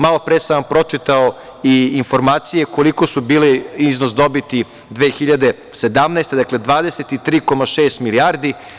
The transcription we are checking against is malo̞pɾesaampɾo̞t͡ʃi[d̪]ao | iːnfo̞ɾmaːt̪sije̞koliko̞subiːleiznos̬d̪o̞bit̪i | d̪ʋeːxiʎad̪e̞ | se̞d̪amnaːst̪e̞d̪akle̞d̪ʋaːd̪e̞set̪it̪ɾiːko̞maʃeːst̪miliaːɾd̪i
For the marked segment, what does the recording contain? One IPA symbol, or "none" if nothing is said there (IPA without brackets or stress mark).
t̪